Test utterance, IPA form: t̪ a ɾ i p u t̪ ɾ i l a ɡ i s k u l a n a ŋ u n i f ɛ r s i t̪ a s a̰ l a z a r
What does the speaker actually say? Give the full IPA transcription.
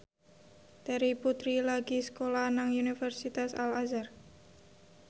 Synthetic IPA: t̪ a ɾ i p u t̪ ɾ i l a ɡ i s k o l a n a ŋ u n i f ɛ r s i t̪ a s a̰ l a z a r